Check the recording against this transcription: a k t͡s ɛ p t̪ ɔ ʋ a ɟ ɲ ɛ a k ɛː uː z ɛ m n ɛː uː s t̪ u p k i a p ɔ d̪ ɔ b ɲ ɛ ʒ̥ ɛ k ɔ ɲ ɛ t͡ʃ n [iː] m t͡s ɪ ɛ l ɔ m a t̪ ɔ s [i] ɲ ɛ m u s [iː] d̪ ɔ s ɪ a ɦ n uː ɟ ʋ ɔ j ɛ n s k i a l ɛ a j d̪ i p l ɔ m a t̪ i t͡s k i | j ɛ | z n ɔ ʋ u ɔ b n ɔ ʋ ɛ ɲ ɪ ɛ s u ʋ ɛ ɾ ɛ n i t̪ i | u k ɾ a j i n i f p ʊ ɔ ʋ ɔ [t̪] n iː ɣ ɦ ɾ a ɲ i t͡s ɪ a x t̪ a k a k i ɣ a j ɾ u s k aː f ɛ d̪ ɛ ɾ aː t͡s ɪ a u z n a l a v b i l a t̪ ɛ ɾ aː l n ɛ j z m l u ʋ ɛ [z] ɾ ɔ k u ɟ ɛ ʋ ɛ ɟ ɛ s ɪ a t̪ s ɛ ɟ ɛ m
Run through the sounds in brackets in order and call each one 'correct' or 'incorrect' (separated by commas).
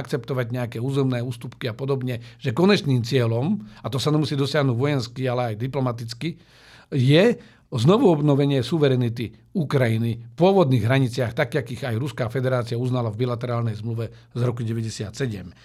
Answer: correct, incorrect, correct, incorrect, correct